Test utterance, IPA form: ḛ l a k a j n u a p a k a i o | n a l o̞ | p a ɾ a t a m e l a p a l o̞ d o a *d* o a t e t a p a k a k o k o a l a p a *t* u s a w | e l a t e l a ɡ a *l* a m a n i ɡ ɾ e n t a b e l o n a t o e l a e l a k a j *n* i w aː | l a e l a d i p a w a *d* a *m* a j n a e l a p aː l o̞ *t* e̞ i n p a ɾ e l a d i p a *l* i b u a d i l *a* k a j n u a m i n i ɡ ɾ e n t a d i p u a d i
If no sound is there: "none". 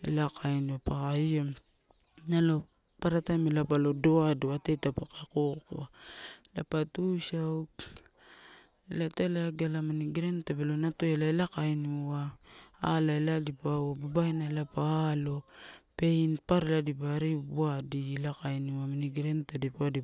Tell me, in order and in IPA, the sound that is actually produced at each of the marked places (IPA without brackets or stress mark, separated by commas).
d, t, l, n, b, b, p, ɾ, a